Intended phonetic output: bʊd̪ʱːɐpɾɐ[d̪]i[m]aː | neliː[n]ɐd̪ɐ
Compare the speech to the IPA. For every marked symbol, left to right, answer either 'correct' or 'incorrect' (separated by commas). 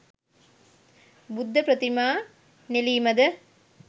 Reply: incorrect, correct, incorrect